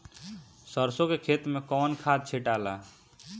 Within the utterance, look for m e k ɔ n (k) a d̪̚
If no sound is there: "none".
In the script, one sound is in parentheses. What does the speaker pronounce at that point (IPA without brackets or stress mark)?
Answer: kʰ